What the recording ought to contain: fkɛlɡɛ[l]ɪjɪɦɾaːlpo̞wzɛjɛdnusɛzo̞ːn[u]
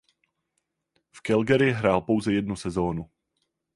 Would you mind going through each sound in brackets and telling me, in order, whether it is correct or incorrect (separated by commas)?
incorrect, correct